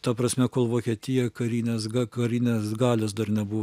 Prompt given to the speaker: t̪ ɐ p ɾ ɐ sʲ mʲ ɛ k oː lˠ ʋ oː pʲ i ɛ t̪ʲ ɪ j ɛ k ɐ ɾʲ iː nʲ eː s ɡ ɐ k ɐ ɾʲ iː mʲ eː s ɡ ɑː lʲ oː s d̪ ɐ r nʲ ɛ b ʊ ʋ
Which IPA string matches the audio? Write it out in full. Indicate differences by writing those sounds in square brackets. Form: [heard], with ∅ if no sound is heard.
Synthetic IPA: t̪ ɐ p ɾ ɐ sʲ mʲ ɛ k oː lˠ ʋ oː [kʲ] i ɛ t̪ʲ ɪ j ɛ k ɐ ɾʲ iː nʲ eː s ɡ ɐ k ɐ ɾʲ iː [nʲ] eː s ɡ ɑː lʲ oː s d̪ ɐ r nʲ ɛ b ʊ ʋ